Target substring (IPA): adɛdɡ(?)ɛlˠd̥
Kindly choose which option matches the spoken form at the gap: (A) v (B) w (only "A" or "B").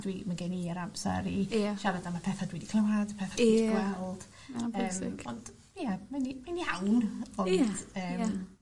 B